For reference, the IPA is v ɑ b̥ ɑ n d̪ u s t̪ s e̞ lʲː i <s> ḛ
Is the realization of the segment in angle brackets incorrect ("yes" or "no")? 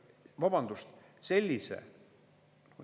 no